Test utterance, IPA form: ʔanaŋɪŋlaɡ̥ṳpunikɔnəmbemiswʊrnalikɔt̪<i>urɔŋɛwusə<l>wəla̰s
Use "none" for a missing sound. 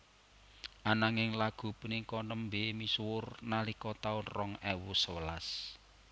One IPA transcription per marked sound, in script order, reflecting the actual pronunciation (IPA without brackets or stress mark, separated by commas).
a, none